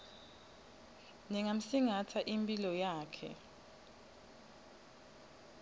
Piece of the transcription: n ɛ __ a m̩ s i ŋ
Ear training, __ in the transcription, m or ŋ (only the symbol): ŋ